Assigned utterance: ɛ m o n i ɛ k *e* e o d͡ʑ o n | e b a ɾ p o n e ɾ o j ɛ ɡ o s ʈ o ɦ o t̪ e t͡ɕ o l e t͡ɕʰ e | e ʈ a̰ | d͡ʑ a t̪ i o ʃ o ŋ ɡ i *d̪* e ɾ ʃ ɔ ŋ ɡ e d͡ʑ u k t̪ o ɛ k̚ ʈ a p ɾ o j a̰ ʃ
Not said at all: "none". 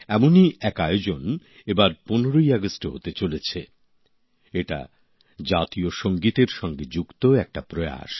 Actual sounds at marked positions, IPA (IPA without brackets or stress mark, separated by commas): a, t̪